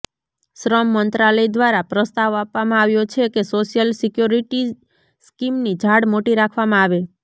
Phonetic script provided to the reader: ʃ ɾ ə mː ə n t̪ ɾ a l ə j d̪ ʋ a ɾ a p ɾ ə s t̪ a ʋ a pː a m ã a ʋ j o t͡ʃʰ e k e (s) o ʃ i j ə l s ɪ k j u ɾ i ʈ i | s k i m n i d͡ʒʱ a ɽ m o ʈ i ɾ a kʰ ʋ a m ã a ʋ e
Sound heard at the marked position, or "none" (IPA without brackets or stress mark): s